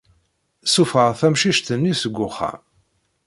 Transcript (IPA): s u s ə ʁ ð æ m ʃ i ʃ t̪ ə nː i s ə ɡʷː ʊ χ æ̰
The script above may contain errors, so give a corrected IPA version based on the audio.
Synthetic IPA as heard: s u f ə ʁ θ æ m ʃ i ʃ t̪ ə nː i s ə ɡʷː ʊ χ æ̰